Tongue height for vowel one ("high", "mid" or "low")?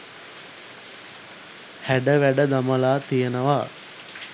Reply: low